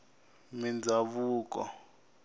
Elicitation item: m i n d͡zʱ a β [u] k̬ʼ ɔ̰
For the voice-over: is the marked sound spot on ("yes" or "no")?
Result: no